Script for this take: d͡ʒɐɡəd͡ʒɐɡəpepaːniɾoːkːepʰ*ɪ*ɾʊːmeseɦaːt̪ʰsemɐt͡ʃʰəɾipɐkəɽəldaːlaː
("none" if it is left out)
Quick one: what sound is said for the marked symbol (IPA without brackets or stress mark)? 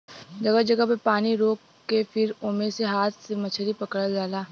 ɪ